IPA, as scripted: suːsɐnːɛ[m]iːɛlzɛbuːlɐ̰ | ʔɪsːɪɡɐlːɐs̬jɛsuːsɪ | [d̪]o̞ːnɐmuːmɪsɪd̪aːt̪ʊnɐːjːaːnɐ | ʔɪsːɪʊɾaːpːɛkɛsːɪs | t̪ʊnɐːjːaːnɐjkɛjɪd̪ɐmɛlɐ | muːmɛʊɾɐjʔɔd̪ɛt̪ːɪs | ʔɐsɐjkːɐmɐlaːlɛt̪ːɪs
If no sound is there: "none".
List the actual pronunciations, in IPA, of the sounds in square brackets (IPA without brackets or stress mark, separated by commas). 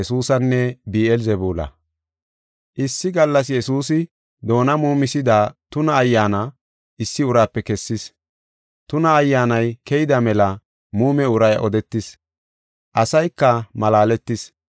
b, d̪